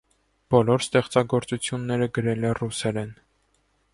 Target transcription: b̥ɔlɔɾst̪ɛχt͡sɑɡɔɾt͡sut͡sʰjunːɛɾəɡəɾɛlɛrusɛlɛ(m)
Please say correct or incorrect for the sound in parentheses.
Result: incorrect